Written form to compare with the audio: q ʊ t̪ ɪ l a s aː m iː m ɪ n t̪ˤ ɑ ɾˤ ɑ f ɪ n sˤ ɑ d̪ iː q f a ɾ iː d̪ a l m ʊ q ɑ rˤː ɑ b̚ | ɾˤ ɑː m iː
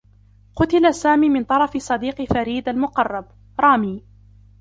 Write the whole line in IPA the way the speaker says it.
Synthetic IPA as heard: q ʊ t̪ ɪ l a s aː m iː m ɪ n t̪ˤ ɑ ɾˤ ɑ f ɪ sˤ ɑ d̪ iː q f a ɾ iː d̪ a l m ʊ q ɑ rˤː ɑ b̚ | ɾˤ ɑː m iː